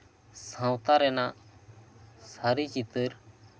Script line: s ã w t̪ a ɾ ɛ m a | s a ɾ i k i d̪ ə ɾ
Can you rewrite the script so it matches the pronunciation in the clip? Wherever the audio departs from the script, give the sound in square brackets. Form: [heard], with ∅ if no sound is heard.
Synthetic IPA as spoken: s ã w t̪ a ɾ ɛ [n] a | s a ɾ i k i [t̪] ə ɾ